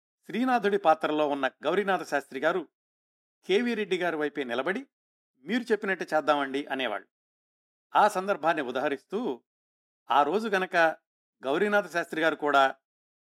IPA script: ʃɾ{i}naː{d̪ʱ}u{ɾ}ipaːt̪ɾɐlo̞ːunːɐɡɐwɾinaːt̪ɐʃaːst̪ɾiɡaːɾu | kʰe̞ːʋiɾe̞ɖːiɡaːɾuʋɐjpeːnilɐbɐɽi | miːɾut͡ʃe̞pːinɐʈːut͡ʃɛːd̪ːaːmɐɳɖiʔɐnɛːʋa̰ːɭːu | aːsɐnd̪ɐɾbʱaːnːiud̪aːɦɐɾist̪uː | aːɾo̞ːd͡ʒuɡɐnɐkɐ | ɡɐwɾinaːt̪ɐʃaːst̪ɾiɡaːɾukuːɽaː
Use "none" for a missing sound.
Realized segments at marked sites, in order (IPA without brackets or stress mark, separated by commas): iː, d̪ʱ, ɽ